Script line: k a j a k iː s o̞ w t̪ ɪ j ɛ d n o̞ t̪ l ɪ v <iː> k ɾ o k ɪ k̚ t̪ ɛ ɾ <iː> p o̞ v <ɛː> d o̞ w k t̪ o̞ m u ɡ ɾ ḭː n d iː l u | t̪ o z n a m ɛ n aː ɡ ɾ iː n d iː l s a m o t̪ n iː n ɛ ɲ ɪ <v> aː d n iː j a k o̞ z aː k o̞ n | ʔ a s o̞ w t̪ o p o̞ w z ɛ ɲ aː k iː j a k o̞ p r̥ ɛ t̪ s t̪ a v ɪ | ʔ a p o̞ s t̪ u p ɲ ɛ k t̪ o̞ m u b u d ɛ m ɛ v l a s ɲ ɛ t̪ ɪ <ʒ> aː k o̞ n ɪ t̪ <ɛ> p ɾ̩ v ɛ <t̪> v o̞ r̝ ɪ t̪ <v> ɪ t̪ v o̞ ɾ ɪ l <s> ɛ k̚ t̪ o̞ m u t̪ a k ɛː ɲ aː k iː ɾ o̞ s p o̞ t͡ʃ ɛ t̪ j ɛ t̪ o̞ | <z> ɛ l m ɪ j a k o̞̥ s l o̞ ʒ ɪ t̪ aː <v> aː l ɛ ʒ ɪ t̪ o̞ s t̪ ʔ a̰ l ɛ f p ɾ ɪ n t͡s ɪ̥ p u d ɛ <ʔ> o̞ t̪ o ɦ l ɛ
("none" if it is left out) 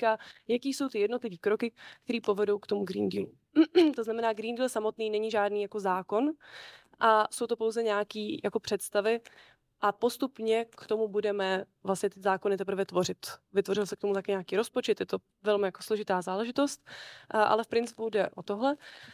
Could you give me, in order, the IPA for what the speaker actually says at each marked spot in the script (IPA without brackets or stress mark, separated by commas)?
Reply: iː, iː, ɛ, ʒ, z, ɛ, t̪, v, s, v, z, ʔ